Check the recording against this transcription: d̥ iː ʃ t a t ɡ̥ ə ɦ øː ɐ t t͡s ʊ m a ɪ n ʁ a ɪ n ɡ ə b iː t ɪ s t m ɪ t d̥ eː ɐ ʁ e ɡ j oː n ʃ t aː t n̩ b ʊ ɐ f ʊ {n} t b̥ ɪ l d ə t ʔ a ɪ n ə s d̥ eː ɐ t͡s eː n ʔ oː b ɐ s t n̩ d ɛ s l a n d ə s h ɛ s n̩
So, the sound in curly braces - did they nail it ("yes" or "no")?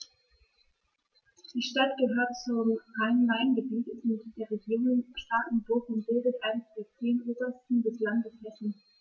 yes